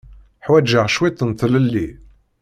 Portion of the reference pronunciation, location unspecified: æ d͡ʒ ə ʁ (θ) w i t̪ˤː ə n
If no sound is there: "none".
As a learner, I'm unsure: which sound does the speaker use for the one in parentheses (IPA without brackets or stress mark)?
ʃ